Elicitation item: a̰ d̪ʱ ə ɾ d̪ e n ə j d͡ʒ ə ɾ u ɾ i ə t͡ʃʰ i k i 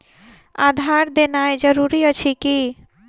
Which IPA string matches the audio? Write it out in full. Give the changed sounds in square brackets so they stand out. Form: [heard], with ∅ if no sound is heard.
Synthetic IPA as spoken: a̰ d̪ʱ [a] ɾ d̪ e n [a] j d͡ʒ ə ɾ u ɾ i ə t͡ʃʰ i k i